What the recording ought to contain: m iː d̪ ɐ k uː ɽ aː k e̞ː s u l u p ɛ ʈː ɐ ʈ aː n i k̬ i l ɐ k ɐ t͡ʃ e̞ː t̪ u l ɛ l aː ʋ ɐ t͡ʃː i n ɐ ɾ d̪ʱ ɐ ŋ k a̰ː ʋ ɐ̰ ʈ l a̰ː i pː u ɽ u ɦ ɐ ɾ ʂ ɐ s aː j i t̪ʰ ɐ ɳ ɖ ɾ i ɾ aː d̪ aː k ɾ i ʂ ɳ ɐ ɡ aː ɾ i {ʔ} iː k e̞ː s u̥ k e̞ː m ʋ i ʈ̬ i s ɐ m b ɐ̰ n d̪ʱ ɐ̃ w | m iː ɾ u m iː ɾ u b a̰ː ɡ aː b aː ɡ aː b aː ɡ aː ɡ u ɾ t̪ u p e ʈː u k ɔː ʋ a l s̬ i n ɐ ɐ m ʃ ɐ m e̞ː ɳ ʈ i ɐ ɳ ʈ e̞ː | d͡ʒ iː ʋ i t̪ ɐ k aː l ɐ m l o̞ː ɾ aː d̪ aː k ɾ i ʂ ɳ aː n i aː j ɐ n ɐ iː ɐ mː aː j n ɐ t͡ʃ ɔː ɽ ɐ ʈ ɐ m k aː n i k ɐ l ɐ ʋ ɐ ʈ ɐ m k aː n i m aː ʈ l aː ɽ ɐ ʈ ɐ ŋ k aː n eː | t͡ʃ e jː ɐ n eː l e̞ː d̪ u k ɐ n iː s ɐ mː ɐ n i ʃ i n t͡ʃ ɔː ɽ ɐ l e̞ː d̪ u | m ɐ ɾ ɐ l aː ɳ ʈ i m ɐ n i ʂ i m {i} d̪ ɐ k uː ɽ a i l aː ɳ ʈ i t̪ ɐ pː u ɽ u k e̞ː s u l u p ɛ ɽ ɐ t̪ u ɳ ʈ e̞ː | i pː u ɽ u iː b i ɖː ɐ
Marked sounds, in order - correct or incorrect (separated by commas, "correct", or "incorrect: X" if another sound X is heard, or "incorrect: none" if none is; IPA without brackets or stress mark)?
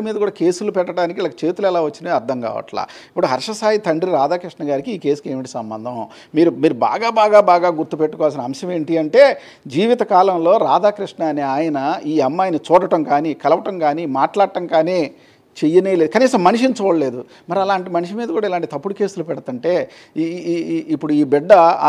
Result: incorrect: k, incorrect: iː